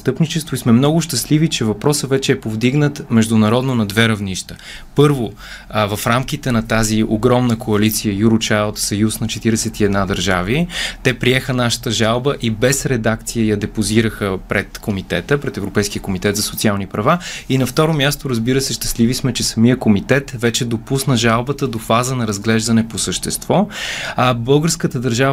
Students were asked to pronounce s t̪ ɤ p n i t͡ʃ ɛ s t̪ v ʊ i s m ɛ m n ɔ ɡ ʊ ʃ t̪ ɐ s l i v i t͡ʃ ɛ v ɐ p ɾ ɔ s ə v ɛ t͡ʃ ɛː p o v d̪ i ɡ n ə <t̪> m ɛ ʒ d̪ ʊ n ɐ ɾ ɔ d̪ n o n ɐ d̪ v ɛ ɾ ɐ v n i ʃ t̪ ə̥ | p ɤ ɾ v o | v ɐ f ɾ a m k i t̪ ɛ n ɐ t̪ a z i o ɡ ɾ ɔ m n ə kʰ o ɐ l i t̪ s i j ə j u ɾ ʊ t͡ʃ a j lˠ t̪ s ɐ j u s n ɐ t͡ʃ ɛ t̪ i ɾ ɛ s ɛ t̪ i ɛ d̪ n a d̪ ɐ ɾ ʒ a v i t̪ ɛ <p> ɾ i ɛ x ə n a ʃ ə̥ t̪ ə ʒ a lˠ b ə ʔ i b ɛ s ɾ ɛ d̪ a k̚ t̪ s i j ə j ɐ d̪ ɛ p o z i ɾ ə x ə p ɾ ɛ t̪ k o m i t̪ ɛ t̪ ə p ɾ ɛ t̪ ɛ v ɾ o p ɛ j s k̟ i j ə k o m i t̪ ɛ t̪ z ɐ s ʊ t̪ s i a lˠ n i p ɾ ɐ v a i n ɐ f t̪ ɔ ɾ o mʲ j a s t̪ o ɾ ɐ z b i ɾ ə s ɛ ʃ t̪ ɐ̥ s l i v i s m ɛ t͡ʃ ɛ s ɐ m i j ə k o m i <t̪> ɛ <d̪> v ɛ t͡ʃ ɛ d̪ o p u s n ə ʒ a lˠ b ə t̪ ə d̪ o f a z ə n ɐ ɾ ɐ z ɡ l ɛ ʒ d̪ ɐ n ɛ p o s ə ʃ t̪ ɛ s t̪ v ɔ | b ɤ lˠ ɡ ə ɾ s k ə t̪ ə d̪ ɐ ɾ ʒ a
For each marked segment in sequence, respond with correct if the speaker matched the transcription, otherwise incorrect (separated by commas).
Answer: correct, correct, correct, incorrect